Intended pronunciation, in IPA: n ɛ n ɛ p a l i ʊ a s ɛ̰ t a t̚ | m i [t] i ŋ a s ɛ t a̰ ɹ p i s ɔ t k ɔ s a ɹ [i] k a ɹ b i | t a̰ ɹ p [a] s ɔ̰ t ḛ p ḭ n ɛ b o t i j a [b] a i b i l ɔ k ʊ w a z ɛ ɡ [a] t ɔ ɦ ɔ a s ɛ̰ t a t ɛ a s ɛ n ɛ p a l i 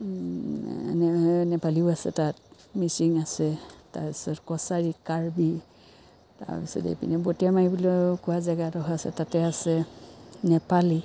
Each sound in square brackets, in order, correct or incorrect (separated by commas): incorrect, correct, incorrect, incorrect, correct